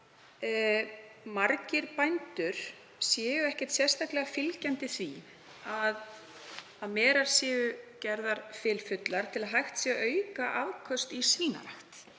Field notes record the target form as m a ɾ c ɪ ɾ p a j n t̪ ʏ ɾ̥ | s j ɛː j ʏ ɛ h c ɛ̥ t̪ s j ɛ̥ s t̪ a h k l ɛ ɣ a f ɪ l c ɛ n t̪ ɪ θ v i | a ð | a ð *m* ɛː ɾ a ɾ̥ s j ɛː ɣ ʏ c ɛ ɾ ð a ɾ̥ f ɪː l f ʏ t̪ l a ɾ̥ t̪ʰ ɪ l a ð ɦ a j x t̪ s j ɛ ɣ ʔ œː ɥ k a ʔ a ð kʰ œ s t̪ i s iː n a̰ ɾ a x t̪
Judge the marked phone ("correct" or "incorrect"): correct